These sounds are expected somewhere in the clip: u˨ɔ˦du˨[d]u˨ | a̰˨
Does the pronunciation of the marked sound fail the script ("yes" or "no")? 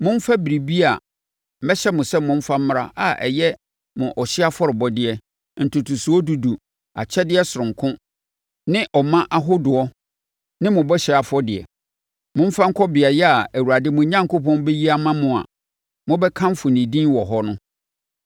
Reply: no